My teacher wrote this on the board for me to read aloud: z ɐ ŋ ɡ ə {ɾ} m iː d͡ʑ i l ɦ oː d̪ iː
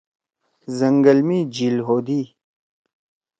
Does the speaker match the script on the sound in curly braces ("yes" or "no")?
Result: no